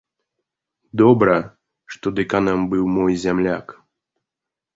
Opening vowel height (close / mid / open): mid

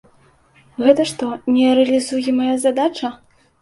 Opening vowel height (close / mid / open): mid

